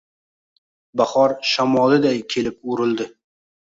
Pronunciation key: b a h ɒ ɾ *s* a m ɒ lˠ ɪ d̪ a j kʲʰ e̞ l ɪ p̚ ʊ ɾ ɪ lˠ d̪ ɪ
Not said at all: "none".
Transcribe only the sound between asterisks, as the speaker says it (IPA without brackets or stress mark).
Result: ʃ